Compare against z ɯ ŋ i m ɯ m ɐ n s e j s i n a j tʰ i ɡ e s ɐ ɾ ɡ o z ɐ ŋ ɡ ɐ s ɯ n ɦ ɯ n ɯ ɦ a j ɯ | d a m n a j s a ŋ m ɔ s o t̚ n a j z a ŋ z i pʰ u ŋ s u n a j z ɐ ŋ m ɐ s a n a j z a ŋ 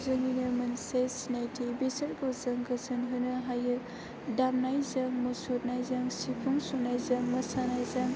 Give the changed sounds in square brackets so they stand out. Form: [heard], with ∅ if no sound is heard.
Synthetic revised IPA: z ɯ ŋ i [n] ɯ m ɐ n s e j s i n a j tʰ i [b] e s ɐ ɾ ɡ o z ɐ ŋ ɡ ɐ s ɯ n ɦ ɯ n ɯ ɦ a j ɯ | d a m n a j [z] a ŋ m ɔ s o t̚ n a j z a ŋ [s] i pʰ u ŋ s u n a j z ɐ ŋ m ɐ s a n a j z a ŋ